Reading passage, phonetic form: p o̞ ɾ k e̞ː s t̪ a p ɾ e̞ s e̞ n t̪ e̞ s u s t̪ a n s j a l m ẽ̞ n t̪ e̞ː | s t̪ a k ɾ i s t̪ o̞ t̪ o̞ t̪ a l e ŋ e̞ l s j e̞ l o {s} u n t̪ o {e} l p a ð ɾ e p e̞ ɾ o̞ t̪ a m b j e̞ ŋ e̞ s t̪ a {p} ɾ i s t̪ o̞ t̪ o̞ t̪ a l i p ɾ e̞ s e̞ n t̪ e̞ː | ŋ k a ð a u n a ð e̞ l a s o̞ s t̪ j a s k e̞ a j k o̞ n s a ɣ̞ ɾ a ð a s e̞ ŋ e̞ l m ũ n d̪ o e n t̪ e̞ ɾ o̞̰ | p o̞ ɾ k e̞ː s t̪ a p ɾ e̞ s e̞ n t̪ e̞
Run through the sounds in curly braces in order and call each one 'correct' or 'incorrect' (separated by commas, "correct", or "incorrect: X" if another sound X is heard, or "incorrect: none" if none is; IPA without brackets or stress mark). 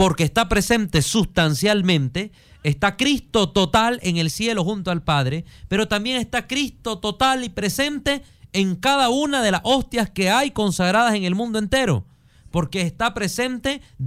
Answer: incorrect: x, incorrect: a, incorrect: k